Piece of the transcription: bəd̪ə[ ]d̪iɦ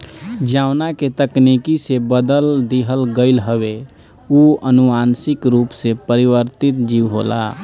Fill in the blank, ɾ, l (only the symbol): l